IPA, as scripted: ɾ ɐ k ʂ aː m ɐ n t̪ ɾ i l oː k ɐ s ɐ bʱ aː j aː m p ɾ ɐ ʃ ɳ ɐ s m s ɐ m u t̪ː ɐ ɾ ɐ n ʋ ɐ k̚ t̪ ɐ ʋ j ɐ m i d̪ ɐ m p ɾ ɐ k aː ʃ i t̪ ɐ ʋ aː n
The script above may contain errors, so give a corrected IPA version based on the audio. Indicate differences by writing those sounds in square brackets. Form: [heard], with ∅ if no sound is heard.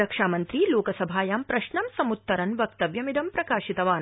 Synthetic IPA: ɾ ɐ k ʂ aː m ɐ n t̪ ɾ i l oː k ɐ s ɐ bʱ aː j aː m p ɾ ɐ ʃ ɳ ɐ [∅] m s ɐ m u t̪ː ɐ ɾ ɐ n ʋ ɐ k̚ t̪ ɐ ʋ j ɐ m i d̪ ɐ m p ɾ ɐ k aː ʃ i t̪ ɐ ʋ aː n